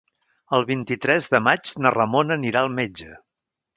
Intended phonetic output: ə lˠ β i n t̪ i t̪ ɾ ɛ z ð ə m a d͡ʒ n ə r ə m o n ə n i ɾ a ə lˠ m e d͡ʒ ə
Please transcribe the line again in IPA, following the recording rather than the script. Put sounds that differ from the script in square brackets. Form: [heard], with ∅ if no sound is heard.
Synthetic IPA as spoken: ə lˠ β i n t̪ i t̪ ɾ ɛ z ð ə m a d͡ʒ n ə r ə m o n ə n i ɾ a ə lˠ m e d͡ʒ ə